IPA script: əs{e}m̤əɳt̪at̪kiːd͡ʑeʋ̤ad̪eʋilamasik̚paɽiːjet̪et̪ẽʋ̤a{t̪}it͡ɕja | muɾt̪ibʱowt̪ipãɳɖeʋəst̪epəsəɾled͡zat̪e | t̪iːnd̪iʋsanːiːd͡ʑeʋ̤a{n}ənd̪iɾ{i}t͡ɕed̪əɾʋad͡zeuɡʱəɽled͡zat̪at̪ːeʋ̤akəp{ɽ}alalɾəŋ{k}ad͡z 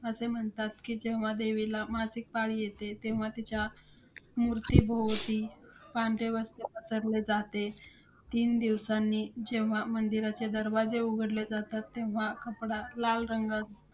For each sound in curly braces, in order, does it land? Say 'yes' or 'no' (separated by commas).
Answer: yes, yes, no, no, yes, no